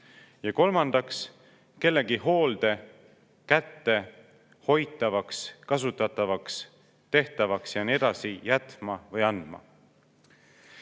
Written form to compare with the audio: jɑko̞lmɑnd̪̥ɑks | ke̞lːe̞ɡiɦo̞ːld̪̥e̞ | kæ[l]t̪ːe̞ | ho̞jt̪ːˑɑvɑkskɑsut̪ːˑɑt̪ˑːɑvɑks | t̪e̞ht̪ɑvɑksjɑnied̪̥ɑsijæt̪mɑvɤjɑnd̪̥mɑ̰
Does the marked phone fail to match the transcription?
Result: yes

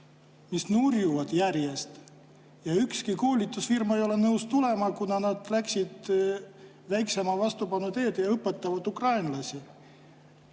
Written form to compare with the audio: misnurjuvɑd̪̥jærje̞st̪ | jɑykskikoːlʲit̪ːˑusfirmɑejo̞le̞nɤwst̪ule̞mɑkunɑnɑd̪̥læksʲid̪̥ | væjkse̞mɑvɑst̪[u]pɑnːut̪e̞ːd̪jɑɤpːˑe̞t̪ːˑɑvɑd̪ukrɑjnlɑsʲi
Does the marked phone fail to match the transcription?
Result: no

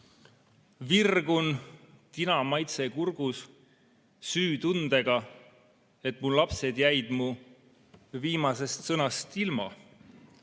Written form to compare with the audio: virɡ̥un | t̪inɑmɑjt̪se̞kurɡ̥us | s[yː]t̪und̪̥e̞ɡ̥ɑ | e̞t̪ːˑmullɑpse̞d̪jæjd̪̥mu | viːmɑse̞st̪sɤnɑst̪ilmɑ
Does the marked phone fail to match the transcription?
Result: no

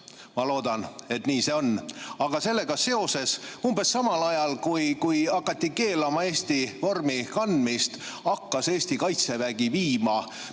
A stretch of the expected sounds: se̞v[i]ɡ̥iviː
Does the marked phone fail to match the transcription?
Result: yes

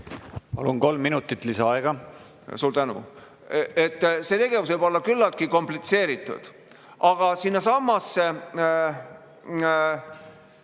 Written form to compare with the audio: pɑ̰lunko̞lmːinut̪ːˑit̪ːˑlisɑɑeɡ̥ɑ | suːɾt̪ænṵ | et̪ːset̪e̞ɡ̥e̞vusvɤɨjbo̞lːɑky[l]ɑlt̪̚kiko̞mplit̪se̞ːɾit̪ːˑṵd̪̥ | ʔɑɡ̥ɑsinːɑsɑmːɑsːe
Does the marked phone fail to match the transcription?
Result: yes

